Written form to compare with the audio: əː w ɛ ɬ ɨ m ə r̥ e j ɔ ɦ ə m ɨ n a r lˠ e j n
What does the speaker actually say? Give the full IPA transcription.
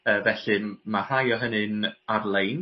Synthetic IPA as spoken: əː v ɛ ɬ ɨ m a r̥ a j ɔ ɦ ə n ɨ n a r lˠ e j n